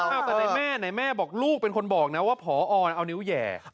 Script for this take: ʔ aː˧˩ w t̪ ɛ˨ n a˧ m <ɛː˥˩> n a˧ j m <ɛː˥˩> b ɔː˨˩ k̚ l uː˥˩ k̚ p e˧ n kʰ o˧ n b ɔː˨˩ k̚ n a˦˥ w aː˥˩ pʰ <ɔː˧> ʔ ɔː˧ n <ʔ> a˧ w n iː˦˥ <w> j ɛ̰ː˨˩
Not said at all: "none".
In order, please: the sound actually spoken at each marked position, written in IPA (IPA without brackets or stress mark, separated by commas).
ɛː˥˩, ɛː˥˩, ɔː˩˦, ʔ, w